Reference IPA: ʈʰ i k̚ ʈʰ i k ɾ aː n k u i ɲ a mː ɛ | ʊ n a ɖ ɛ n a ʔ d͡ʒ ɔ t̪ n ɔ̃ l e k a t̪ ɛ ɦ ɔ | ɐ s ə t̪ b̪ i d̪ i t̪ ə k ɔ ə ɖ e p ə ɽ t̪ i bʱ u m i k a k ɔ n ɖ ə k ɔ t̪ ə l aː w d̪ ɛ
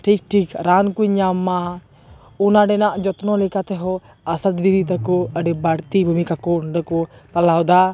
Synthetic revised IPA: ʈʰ i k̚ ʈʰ i k ɾ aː n k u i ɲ a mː a | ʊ n a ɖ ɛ n a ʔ d͡ʒ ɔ t̪ n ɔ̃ l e k a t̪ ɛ ɦ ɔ | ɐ s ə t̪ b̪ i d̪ i t̪ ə k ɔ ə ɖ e b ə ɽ t̪ i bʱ u m i k a k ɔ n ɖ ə k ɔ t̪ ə l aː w d̪ a